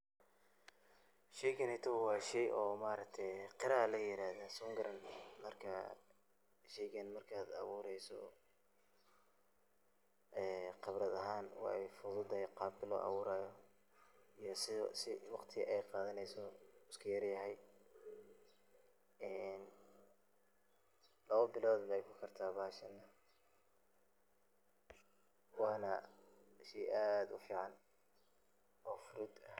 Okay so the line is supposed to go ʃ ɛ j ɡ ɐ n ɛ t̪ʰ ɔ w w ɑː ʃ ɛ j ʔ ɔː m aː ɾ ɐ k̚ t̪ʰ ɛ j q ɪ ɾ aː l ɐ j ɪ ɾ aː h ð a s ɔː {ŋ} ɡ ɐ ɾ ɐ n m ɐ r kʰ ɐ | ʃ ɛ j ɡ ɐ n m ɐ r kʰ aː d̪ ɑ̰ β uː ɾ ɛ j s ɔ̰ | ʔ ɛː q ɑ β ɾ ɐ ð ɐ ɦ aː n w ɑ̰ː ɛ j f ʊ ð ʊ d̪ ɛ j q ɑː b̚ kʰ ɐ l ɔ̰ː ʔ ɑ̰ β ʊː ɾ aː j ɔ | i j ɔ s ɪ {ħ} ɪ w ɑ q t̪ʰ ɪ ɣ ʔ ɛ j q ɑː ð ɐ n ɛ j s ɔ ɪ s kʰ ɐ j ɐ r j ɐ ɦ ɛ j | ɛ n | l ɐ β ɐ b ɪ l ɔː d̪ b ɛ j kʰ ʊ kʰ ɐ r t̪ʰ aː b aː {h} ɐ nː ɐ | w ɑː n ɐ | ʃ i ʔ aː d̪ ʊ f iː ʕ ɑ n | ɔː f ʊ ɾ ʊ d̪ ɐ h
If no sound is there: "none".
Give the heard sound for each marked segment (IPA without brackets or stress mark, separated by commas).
ŋ, s, ʃ